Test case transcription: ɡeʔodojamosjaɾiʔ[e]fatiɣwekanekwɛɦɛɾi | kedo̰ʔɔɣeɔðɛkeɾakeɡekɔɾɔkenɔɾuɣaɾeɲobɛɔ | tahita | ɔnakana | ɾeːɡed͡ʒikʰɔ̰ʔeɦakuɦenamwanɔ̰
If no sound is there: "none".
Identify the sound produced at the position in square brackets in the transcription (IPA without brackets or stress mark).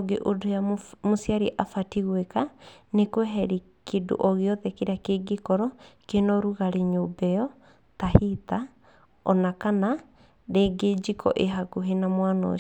a